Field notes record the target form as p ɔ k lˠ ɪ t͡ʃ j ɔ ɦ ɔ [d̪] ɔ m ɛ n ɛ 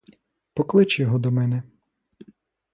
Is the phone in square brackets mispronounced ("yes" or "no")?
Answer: no